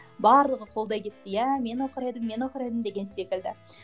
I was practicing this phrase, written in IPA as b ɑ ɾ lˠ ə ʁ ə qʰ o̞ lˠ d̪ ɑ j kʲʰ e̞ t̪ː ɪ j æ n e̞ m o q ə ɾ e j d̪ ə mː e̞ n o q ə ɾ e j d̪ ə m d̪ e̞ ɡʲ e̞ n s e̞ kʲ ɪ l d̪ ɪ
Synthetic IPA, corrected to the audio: b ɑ ɾ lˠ ə ʁ ə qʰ o̞ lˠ d̪ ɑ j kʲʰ e̞ t̪ː ɪ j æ m e̞ n o q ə ɾ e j d̪ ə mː e̞ n o q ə ɾ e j d̪ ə m d̪ e̞ ɡʲ e̞ n s e̞ kʲ ɪ l d̪ ɪ